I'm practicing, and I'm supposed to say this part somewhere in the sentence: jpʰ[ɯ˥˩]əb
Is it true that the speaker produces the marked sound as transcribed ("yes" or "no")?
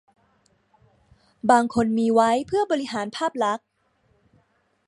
yes